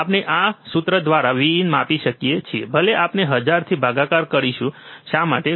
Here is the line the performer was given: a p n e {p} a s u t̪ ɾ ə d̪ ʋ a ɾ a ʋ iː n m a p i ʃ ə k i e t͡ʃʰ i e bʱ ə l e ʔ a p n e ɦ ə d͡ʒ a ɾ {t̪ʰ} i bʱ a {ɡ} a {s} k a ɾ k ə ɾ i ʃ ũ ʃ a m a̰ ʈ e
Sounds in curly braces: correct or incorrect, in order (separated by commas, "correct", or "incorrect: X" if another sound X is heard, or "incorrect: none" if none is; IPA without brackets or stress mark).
incorrect: ʔ, correct, correct, incorrect: none